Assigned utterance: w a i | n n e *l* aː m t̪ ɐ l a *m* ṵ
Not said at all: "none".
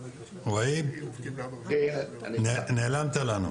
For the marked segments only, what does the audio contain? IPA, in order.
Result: l, n

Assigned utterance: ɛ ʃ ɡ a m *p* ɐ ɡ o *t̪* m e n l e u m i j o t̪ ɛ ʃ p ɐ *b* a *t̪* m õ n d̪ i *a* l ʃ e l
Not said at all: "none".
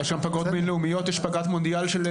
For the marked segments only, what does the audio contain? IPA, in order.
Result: p, t̪, ɡ, t̪, a

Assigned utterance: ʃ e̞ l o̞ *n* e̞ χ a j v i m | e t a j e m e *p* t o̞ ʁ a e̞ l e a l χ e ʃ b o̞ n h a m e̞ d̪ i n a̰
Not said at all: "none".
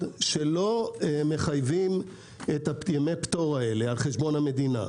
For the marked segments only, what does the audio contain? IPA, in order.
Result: m, p

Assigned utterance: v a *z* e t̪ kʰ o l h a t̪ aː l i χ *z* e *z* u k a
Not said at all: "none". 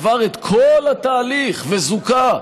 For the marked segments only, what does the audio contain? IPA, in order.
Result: ʁ, v, z

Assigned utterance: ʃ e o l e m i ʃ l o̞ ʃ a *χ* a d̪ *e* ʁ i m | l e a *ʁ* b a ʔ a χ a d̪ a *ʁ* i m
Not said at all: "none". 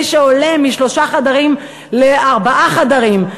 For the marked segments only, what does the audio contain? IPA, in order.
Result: χ, a, ʁ, ʁ

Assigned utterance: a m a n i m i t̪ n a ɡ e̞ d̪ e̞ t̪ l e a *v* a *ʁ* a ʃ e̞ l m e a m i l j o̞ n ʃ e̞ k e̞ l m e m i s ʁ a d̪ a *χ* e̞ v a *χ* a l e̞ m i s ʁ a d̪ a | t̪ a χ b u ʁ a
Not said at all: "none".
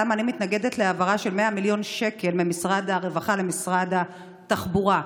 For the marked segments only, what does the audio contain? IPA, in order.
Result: v, ʁ, ʁ, χ

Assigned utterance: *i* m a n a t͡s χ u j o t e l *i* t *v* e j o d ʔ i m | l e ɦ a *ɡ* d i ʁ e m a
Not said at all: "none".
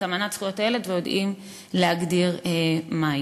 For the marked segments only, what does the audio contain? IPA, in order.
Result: a, e, v, ɡ

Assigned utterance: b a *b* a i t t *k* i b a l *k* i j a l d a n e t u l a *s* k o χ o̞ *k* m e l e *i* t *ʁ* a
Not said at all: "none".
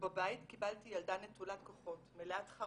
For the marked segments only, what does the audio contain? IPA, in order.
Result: b, k, t, t, t, a, χ

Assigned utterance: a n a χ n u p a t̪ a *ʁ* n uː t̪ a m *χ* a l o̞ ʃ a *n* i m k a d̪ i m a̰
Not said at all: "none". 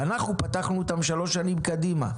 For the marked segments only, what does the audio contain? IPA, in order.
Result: χ, ʃ, n

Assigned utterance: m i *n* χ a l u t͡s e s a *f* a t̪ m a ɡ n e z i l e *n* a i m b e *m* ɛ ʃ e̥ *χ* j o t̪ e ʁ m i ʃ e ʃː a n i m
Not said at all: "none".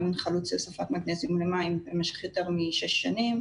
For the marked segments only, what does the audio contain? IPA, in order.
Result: n, f, m, m, χ

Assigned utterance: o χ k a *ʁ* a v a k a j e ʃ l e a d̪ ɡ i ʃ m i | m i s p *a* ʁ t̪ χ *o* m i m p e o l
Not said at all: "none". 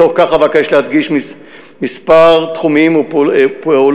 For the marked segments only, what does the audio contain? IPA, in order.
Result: χ, a, u

